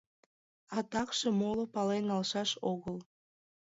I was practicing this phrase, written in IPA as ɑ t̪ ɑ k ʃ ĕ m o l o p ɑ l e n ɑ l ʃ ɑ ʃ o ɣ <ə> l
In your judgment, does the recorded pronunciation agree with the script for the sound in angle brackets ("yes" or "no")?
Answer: yes